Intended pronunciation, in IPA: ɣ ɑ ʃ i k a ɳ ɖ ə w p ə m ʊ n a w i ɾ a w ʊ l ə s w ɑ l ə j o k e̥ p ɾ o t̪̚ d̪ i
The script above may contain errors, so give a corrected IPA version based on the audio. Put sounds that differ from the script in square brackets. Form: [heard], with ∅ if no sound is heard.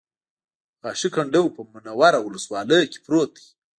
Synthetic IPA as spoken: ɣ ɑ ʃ i k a ɳ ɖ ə w p ə m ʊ n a w [a] ɾ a w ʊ l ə s w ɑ l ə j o k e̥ p ɾ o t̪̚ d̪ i